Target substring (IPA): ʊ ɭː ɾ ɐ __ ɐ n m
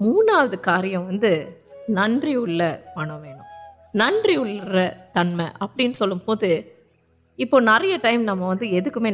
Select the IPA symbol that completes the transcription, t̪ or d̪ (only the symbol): t̪